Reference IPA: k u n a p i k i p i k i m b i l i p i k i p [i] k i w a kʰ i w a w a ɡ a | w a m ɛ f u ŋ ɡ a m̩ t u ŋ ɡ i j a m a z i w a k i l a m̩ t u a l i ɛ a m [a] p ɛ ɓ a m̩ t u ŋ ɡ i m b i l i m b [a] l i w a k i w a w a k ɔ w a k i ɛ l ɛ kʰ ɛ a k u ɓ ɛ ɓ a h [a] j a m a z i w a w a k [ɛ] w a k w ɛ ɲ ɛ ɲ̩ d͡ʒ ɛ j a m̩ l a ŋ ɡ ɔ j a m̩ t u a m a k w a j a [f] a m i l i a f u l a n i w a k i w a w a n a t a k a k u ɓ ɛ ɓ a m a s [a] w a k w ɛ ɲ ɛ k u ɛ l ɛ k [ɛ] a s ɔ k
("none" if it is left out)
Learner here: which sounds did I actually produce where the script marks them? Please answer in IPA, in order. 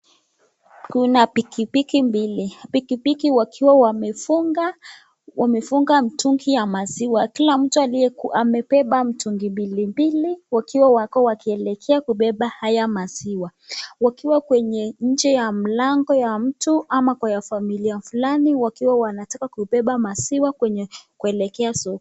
i, ɛ, i, a, i, f, i, ɛ

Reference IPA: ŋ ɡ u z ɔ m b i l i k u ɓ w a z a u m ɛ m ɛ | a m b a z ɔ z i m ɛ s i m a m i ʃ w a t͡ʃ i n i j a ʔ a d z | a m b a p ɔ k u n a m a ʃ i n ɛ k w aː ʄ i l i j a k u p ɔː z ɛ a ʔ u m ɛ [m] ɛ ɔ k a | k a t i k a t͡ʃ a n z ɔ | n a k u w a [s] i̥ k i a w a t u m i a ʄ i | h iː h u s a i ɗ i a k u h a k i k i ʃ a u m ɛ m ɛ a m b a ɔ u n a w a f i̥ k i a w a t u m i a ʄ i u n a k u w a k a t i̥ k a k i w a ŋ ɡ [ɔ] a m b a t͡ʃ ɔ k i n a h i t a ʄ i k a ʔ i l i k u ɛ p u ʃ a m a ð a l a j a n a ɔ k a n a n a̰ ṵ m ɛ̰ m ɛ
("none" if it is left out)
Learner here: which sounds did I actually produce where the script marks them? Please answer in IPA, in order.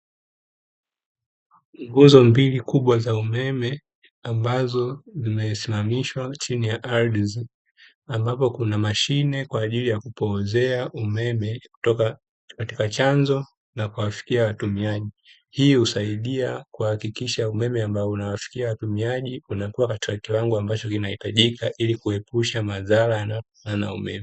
m, f, u

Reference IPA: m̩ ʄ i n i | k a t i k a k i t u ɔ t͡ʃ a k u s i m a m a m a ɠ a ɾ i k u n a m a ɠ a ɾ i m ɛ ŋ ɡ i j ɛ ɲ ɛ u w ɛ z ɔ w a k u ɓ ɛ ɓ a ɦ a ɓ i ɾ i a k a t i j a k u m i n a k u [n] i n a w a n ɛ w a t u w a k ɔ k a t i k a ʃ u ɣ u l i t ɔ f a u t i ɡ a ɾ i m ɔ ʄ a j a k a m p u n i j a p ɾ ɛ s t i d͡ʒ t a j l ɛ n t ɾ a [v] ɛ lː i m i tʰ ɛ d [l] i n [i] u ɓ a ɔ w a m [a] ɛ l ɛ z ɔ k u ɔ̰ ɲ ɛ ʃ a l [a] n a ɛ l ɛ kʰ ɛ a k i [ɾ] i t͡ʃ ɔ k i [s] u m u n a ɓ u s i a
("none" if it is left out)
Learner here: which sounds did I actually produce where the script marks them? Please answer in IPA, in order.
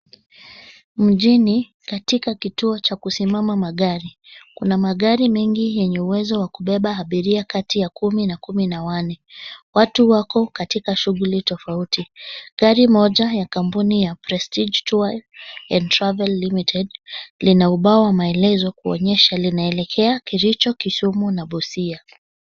m, v, l, a, a, i, ɾ, s

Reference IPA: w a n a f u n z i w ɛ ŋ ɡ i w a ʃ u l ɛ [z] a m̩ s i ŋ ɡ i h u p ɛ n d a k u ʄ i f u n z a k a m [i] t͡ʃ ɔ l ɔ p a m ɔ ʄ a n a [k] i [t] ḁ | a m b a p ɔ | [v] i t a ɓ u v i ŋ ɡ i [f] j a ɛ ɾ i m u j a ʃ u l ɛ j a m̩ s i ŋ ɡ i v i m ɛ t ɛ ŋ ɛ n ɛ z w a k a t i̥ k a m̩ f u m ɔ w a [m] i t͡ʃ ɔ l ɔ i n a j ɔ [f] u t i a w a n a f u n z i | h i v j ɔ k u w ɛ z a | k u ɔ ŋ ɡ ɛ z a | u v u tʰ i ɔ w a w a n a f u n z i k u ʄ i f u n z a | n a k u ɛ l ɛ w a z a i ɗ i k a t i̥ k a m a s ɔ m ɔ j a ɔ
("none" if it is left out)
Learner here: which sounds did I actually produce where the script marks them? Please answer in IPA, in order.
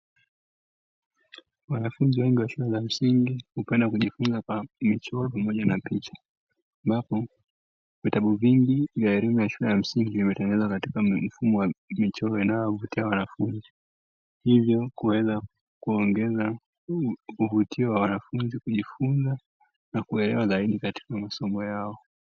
z, i, p, t͡ʃ, v, v, m, v

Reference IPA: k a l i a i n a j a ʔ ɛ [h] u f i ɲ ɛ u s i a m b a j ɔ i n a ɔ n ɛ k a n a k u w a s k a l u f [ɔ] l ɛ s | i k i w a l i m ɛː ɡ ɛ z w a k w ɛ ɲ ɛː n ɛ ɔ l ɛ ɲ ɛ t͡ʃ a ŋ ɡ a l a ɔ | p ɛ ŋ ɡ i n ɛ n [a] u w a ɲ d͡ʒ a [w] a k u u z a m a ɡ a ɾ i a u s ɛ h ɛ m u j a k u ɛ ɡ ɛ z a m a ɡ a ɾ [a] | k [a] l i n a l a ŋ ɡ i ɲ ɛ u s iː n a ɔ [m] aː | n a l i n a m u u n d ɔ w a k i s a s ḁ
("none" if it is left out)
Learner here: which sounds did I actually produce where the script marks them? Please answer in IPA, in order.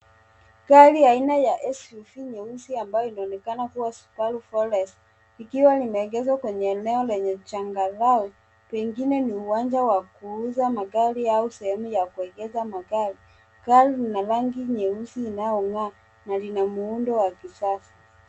s, ɔ, i, w, i, a, ŋ

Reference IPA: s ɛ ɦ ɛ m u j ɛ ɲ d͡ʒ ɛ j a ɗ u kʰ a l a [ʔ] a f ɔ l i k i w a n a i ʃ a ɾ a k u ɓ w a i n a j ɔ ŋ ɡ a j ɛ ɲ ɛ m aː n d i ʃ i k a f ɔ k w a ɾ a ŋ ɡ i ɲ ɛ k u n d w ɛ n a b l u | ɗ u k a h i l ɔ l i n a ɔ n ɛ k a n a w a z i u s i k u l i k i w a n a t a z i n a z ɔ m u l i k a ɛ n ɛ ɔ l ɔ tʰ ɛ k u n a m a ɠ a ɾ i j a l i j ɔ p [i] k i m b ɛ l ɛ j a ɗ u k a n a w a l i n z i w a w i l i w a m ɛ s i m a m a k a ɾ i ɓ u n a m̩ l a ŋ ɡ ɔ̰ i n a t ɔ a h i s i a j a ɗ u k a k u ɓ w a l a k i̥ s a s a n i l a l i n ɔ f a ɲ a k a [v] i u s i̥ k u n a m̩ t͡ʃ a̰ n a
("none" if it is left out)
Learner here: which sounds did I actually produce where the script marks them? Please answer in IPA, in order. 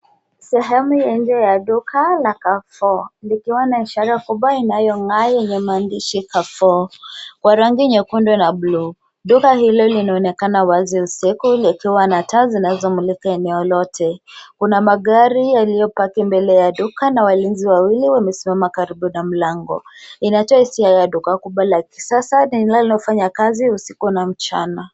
k, a, z

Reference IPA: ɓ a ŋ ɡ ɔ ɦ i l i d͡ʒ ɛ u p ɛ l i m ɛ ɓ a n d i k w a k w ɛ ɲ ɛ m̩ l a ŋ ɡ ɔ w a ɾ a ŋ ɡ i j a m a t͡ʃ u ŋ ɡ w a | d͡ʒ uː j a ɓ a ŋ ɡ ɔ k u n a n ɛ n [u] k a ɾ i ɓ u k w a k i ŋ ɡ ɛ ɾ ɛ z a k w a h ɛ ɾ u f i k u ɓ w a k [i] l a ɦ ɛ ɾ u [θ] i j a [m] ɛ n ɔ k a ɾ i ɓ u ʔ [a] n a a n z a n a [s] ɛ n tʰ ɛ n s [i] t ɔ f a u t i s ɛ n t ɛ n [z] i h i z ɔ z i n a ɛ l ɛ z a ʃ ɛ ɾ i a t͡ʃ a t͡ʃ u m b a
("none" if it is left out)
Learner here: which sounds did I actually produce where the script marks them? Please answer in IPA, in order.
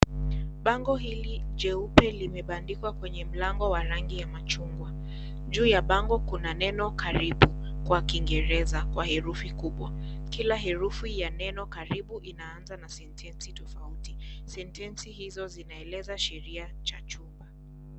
ɔ, i, f, n, i, s, i, s

